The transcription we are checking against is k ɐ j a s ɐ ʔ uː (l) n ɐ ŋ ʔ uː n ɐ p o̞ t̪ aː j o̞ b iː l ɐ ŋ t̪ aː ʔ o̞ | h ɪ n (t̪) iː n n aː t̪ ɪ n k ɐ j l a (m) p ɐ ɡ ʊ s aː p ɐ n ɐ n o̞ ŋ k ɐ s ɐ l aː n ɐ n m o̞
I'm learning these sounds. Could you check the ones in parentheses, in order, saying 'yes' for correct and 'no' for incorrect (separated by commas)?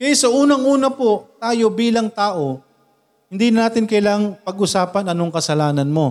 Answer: no, no, no